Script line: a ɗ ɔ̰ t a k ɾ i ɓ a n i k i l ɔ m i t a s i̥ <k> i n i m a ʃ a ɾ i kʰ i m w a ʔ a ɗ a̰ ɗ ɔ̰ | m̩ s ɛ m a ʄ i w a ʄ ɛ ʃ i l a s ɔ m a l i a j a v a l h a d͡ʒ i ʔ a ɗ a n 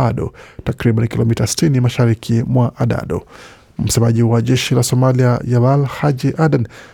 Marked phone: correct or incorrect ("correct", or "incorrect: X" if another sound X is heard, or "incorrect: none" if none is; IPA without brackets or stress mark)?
incorrect: t